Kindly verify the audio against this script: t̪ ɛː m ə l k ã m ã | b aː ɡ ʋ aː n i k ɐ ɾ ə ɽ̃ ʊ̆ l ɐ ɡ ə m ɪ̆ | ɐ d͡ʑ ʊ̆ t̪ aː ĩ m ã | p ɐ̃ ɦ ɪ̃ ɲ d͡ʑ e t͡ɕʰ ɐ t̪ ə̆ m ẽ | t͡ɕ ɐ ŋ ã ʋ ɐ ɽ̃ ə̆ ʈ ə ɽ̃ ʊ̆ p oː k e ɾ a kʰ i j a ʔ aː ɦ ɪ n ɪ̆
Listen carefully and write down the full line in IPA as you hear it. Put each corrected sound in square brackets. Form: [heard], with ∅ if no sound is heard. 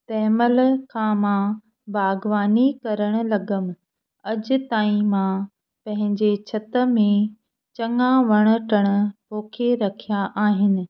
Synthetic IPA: t̪ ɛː m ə l [kʰ] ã m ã | b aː ɡ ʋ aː n i k ɐ ɾ ə ɽ̃ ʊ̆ l ɐ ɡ ə m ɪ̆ | ɐ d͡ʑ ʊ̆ t̪ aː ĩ m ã | p ɐ̃ ɦ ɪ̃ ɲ d͡ʑ e t͡ɕʰ ɐ t̪ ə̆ m ẽ | t͡ɕ ɐ ŋ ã ʋ ɐ ɽ̃ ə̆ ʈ ə ɽ̃ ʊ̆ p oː [kʰ] e ɾ [ɐ] kʰ i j a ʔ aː ɦ ɪ n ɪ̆